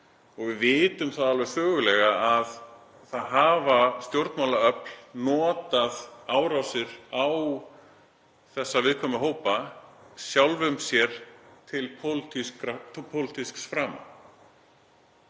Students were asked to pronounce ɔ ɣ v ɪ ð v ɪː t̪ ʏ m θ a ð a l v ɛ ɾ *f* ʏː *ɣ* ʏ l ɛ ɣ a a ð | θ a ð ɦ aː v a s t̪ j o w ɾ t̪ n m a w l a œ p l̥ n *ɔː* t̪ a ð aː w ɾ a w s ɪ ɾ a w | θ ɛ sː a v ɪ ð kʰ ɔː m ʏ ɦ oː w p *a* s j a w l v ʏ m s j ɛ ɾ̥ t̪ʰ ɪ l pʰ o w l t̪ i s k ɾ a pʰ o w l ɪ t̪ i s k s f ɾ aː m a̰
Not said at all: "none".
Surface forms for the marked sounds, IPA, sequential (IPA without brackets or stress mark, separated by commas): f, ɣ, ɔː, a